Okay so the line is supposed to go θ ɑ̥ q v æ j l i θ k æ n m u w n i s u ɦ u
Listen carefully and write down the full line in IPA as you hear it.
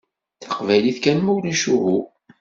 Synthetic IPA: θ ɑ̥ q v æ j l i θ k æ n m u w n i ʃ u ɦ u